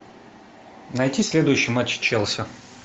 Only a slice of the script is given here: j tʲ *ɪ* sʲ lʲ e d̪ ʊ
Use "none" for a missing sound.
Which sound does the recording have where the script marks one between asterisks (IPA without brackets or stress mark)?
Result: i